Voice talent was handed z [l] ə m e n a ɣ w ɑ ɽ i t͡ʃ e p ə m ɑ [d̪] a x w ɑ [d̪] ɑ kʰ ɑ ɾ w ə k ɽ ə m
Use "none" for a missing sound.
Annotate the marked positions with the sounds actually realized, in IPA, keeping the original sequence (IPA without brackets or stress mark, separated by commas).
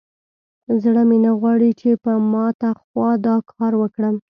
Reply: ɽ, t̪, d̪